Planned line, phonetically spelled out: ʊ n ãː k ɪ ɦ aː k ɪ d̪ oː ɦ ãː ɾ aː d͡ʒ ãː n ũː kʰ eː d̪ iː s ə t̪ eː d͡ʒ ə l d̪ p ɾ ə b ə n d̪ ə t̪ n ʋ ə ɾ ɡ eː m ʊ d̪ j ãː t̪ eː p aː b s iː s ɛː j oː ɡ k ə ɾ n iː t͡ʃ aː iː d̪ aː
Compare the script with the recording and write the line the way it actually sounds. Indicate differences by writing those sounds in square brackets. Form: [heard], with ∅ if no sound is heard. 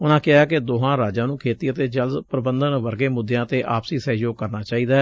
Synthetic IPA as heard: ʊ n ãː k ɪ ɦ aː k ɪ d̪ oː ɦ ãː ɾ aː d͡ʒ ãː n ũː kʰ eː [t̪] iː [∅] ə t̪ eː d͡ʒ ə l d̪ p ɾ ə b ə n d̪ ə [∅] n ʋ ə ɾ ɡ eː m ʊ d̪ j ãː t̪ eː [ʔ] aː [p] s iː s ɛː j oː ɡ k ə ɾ n [aː] t͡ʃ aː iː d̪ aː